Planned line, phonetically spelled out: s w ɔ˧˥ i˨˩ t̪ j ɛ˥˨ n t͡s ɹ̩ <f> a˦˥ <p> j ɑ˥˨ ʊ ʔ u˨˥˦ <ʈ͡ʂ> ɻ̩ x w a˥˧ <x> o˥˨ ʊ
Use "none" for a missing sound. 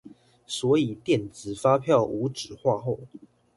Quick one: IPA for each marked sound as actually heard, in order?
f, pʰ, ʈ͡ʂ, x

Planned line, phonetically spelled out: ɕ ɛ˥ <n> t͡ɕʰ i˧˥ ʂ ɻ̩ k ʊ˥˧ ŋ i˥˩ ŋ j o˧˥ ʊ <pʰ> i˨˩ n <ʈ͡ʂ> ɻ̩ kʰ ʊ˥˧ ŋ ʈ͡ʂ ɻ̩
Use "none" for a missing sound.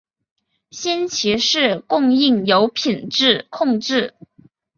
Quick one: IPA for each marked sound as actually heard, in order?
n, pʰ, ʈ͡ʂ

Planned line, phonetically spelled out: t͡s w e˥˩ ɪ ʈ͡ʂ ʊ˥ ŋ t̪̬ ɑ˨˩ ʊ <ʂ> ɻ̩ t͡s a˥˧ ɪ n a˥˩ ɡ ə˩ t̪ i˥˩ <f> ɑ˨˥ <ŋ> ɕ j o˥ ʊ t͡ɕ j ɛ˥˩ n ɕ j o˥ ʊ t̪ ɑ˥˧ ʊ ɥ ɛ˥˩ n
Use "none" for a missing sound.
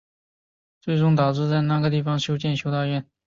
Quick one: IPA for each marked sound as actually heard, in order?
ʈ͡ʂ, f, ŋ

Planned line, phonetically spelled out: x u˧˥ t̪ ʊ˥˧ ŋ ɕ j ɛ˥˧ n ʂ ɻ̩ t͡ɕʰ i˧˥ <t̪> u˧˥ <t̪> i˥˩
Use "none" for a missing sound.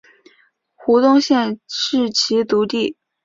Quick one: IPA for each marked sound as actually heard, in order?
t̪, t̪

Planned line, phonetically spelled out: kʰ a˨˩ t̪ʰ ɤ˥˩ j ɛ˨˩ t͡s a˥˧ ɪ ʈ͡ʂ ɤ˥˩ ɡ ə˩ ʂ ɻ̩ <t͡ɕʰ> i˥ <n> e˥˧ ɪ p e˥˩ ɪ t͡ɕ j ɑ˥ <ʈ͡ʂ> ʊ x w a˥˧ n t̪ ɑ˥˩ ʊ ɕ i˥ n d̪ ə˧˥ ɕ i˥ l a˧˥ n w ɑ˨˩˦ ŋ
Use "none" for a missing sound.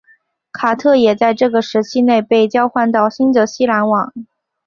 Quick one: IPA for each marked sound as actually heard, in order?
t͡ɕʰ, n, none

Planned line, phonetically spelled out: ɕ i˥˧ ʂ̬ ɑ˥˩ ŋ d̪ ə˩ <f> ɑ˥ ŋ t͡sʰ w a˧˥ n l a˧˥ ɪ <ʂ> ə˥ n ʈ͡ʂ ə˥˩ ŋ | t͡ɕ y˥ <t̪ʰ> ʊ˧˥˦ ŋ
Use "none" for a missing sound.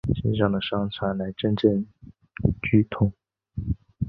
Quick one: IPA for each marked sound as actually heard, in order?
ʂ, ʈ͡ʂ, t̪ʰ

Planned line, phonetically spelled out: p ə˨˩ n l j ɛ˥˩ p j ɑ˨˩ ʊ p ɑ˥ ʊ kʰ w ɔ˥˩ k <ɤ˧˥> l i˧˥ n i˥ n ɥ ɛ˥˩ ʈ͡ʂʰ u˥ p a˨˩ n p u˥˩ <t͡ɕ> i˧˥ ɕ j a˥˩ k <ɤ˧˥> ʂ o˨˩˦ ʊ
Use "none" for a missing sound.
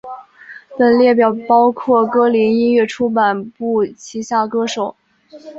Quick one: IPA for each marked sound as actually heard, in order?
ɤ˥, t͡ɕʰ, ɤ˥

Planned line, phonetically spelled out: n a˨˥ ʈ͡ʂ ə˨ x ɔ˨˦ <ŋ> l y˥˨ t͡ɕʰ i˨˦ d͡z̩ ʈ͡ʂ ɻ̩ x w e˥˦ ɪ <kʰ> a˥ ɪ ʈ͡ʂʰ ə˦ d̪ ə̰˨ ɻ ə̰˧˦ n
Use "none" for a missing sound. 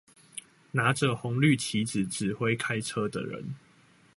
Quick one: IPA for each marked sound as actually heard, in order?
ŋ, kʰ

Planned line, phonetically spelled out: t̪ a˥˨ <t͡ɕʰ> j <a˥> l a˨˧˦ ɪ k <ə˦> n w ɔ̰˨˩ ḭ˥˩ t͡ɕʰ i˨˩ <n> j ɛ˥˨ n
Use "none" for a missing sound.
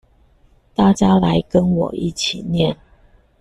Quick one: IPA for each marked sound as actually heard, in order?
t͡ɕ, a˥, ə˦, n

